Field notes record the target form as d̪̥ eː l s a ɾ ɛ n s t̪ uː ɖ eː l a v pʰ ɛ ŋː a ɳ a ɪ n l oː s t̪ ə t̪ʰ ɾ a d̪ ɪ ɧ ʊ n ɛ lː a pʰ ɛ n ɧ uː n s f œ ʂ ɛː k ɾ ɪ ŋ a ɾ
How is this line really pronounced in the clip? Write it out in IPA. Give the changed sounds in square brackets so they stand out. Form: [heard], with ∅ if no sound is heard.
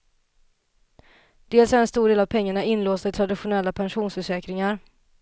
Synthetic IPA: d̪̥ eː l s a ɾ ɛ n s t̪ uː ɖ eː l a v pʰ ɛ ŋː a ɳ a ɪ n l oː s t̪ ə t̪ʰ ɾ a d̪ ɪ ɧ ʊ n ɛ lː a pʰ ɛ n ɧ uː n s f œ ʂ ɛː k ɾ ɪ ŋ a ɾ